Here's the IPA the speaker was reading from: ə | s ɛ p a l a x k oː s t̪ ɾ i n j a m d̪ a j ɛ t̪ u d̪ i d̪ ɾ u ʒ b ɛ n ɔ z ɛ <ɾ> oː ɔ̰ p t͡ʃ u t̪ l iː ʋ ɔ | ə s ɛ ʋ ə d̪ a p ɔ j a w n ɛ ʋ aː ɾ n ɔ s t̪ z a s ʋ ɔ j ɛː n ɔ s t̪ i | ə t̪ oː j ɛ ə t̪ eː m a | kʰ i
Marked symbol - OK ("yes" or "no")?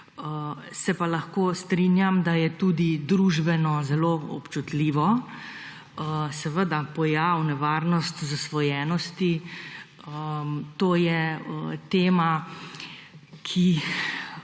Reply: no